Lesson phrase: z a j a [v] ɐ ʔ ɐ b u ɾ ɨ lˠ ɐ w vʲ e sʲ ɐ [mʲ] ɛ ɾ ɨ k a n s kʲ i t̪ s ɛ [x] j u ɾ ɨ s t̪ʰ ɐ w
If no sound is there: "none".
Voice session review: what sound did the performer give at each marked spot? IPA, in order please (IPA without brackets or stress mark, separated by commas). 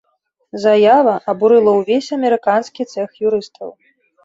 v, mʲ, x